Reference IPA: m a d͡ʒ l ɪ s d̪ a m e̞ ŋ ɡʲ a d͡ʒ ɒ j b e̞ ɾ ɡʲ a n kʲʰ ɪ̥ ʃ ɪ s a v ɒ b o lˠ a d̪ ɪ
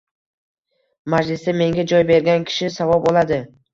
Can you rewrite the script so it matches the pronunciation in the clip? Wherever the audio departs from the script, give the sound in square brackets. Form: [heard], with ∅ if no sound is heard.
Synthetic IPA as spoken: m a d͡ʒ l ɪ s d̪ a m e̞ ŋ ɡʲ a d͡ʒ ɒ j b e̞ ɾ ɡʲ a n kʲʰ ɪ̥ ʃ ɪ s a v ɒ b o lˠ a d̪ ɪ